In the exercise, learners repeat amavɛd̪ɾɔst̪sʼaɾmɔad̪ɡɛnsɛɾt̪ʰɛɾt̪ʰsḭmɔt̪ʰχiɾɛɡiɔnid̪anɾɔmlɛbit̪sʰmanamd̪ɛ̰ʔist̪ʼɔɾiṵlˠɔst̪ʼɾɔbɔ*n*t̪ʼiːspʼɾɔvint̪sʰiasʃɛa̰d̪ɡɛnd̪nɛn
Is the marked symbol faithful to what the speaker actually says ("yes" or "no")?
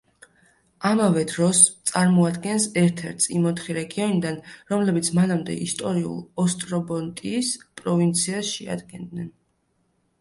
yes